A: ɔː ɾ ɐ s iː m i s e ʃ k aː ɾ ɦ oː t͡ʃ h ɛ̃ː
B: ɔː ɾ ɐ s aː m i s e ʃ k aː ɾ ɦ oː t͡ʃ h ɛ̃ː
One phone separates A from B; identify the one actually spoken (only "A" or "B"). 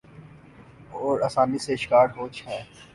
B